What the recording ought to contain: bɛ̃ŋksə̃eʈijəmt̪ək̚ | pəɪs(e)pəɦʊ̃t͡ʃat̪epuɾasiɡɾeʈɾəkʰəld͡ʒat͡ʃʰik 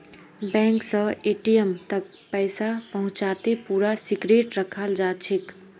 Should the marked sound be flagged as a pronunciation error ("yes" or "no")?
yes